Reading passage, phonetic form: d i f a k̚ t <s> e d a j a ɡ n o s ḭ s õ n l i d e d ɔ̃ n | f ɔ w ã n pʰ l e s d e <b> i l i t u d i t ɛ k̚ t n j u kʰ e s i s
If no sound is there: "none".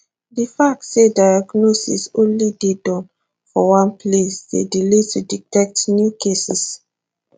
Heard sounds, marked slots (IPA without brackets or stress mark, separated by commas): s, d